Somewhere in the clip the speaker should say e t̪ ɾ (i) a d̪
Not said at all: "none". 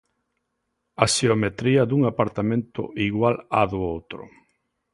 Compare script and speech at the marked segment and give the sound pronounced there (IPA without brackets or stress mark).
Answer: i